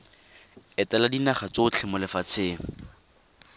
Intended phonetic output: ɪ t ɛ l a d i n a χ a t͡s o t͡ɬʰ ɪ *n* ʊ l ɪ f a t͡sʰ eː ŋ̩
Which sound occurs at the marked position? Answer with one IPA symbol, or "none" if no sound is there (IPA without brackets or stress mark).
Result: m